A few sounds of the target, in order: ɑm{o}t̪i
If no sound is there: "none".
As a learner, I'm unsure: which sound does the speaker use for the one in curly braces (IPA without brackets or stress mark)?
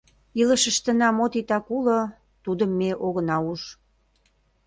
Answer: o